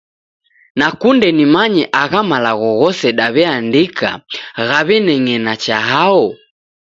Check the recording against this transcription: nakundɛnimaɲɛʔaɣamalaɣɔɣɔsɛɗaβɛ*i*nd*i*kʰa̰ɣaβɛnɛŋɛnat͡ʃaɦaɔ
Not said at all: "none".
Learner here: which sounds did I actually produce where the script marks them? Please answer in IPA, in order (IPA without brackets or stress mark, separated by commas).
a, i